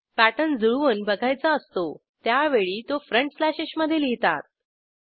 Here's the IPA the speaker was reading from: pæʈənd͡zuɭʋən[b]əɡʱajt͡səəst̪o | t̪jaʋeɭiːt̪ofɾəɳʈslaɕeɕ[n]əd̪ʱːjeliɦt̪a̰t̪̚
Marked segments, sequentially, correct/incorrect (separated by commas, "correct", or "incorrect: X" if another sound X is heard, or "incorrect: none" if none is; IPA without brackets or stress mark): correct, incorrect: m